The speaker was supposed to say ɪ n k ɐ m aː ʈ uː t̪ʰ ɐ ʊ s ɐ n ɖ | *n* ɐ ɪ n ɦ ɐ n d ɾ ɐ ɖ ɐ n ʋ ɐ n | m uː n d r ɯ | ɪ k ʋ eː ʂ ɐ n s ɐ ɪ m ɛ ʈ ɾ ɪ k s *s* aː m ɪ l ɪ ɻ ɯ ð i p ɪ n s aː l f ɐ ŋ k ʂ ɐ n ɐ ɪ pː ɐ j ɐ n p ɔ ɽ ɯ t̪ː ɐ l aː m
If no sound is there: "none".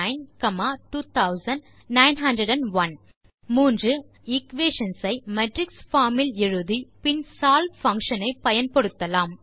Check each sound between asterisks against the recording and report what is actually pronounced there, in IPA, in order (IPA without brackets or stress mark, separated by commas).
n, f